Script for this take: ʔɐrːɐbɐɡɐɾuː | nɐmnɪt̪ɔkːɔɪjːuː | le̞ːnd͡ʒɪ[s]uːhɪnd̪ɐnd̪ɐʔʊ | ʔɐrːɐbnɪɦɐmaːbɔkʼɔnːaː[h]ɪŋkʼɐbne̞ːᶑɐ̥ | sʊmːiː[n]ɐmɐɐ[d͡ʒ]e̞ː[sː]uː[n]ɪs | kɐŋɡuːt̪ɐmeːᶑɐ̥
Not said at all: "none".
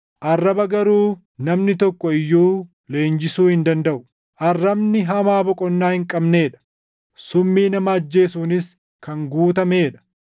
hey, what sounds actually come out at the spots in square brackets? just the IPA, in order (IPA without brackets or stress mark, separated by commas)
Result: s, h, n, d͡ʒː, s, n